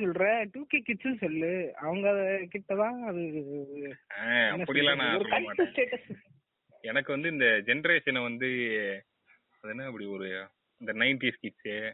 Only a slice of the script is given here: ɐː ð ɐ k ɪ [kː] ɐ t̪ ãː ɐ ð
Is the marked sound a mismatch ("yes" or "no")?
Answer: yes